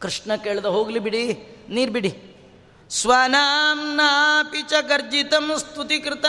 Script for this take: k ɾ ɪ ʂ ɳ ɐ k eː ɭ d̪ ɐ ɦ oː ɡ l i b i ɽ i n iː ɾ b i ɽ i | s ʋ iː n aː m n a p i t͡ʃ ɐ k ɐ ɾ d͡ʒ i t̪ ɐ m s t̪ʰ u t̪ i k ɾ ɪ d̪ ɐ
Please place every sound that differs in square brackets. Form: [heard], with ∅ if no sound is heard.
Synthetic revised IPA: k ɾ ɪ ʂ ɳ ɐ k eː ɭ d̪ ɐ ɦ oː ɡ l i b i ɽ i n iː ɾ b i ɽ i | s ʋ [aː] n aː m n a p i t͡ʃ ɐ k ɐ ɾ d͡ʒ i t̪ ɐ m s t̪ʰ u t̪ i k ɾ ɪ [t̪] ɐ